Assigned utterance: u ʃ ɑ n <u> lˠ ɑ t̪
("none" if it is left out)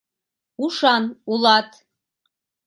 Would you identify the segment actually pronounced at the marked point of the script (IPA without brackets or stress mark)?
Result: u